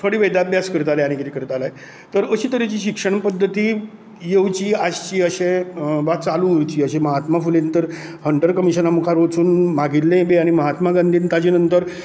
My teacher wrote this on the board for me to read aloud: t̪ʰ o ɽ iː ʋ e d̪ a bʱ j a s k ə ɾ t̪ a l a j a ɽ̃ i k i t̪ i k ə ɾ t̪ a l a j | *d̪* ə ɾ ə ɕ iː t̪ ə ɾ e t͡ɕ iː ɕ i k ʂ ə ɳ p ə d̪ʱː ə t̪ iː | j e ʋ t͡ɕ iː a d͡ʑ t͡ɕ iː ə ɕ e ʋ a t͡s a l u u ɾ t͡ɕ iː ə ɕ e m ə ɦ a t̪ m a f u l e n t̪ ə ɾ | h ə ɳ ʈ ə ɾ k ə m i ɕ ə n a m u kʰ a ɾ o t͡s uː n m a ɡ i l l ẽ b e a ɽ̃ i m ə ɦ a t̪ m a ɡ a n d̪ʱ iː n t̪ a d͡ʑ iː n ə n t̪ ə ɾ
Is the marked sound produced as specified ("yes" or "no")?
no